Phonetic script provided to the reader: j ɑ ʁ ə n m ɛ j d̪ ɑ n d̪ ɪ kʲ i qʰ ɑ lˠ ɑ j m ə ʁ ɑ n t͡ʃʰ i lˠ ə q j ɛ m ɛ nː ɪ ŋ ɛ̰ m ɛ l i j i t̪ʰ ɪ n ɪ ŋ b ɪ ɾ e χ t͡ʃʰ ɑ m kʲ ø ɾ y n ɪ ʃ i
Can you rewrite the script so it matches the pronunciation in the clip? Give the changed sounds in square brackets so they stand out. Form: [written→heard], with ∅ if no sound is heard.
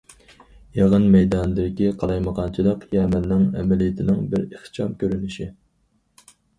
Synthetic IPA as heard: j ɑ ʁ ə n m ɛ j d̪ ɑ n d̪ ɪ kʲ i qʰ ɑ lˠ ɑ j m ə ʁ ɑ n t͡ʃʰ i lˠ ə q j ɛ m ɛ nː ɪ ŋ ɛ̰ m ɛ l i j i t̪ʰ ɪ n ɪ ŋ b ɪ ɾ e χ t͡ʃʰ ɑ m kʲ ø ɾ y n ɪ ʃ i

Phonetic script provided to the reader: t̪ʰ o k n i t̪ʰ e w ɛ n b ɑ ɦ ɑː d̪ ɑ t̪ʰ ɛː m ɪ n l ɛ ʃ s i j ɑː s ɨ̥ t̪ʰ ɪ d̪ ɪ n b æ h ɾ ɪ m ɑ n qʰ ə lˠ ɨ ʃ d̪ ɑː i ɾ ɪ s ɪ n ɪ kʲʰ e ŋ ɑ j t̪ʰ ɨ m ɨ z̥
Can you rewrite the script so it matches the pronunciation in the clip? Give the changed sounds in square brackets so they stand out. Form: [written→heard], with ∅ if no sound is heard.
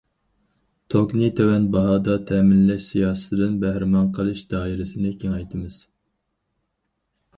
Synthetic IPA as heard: t̪ʰ o k n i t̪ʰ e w ɛ n b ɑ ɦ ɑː d̪ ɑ t̪ʰ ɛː m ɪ n l ɛ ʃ s i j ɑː s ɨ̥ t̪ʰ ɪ d̪ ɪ n b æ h ɾ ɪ m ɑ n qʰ ə lˠ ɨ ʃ d̪ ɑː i ɾ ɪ s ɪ n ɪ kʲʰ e ŋ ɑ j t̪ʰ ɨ m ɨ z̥

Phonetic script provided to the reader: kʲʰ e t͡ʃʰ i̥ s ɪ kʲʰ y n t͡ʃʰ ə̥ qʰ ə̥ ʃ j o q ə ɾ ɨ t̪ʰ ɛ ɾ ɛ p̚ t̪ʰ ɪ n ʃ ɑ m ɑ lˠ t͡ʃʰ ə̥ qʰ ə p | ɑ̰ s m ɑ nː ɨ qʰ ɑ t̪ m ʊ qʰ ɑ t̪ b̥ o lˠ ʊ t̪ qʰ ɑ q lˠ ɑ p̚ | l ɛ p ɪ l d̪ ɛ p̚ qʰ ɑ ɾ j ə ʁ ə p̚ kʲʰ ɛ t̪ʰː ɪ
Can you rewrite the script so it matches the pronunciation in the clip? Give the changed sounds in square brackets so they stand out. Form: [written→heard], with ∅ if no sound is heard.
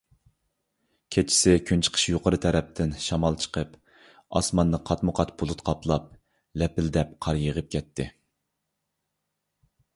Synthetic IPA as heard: kʲʰ e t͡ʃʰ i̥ s ɪ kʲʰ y n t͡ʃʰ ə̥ qʰ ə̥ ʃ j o q ə ɾ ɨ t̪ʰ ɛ ɾ ɛ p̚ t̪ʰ ɪ n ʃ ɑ m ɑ lˠ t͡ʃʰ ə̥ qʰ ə p | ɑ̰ s m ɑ nː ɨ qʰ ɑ t̪ m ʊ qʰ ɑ t̪ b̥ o lˠ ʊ t̪ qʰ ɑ [q→p] lˠ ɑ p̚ | l ɛ p ɪ l d̪ ɛ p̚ qʰ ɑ ɾ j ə ʁ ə p̚ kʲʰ ɛ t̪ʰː ɪ

